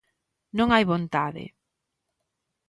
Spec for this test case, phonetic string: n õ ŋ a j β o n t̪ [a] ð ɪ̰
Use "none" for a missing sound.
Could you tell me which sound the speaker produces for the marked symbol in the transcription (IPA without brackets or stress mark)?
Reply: a